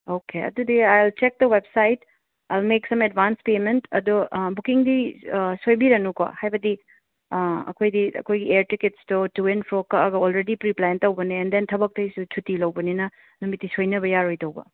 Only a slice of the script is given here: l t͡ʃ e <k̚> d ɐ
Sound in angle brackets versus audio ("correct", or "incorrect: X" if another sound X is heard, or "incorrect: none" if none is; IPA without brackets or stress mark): correct